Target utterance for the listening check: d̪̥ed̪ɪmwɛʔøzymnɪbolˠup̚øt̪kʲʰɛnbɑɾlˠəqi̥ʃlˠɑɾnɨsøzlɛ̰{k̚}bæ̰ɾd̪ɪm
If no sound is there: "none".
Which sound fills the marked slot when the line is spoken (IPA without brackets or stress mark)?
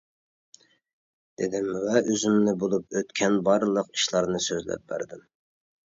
p̚